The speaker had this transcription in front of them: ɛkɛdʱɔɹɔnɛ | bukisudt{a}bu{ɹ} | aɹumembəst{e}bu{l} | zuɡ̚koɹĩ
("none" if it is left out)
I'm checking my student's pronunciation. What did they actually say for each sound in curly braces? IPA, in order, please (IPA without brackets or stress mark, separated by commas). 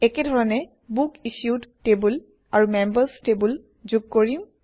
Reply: e, l, e, l